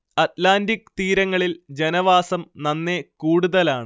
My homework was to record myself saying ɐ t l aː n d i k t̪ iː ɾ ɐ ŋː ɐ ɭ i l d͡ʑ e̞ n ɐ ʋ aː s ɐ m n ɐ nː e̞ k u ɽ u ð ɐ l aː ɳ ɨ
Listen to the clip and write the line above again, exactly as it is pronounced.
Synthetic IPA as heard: ɐ t l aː n d i k t̪ iː ɾ ɐ ŋː ɐ ɭ i l d͡ʑ e̞ n ɐ ʋ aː s ɐ m n ɐ nː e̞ k uː ɽ u ð ɐ l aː ɳ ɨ

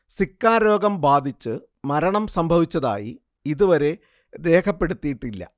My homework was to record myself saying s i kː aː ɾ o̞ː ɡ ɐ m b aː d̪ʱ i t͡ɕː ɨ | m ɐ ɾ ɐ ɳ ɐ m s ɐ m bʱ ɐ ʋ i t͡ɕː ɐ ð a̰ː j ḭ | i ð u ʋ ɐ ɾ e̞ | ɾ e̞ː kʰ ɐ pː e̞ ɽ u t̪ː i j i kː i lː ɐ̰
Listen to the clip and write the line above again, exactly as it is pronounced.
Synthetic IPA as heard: s i kː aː ɾ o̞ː ɡ ɐ m b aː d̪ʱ i t͡ɕː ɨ | m ɐ ɾ ɐ ɳ ɐ m s ɐ m bʱ ɐ ʋ i t͡ɕː ɐ ð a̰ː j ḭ | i ð u ʋ ɐ ɾ e̞ | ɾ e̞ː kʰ ɐ pː e̞ ɽ u t̪ː i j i ʈː i lː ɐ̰

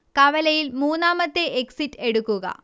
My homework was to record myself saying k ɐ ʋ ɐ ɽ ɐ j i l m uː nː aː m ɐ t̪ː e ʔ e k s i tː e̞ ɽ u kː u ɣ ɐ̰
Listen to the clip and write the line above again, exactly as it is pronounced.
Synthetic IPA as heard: k ɐ ʋ ɐ l ɐ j i l m uː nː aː m ɐ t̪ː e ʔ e k s i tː e̞ ɽ u kː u ɣ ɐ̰

